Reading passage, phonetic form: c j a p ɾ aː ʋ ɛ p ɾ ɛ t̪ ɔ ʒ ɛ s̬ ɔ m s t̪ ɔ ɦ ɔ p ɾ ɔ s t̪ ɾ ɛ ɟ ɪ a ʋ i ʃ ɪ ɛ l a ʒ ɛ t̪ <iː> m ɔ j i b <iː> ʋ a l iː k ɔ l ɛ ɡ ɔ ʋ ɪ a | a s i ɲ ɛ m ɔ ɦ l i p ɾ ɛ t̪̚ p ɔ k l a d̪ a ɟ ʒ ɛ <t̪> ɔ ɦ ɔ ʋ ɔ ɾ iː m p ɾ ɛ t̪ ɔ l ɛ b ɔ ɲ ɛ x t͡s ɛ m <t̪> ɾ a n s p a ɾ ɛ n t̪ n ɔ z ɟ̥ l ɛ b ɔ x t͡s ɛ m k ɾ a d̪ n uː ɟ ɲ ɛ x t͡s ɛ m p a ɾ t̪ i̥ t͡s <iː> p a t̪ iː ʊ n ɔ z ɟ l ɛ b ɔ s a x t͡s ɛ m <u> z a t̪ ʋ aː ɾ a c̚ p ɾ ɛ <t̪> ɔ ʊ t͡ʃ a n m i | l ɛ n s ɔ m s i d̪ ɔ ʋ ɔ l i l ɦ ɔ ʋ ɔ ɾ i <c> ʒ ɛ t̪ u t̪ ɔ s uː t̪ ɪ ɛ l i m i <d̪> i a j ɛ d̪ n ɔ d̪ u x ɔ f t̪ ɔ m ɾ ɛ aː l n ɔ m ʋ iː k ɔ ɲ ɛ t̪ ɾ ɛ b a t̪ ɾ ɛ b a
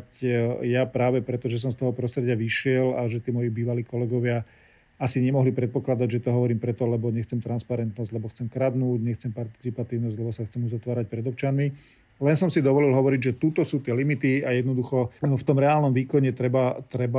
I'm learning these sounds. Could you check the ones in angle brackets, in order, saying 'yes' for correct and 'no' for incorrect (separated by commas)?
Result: yes, yes, yes, yes, no, yes, no, no, no